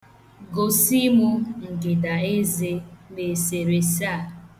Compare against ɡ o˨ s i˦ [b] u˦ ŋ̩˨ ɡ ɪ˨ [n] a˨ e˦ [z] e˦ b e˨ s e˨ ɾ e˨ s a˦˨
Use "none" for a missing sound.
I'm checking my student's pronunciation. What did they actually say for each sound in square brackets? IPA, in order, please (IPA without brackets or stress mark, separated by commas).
m, d, z